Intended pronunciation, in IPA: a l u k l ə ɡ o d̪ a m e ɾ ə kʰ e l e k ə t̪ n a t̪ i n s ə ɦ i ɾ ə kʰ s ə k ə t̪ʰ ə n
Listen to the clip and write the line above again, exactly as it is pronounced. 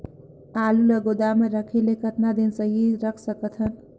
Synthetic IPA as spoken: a l u l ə ɡ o d̪ a m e ɾ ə kʰ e l e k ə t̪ n a d̪ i n s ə ɦ i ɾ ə kʰ s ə k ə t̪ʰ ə n